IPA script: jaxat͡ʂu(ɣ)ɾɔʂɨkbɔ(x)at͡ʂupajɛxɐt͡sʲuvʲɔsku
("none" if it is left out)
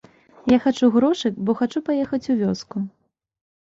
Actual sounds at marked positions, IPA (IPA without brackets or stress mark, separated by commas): ɣ, x